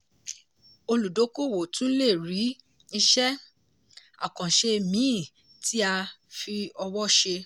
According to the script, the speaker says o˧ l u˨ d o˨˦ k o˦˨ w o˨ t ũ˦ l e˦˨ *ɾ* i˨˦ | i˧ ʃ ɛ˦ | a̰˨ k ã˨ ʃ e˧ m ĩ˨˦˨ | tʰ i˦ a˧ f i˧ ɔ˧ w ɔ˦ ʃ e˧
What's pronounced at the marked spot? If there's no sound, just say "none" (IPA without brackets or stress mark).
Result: ɾ